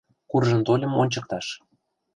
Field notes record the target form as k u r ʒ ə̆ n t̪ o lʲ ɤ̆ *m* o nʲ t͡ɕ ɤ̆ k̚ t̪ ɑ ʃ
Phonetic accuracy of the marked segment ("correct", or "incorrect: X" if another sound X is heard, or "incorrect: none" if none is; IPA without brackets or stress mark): correct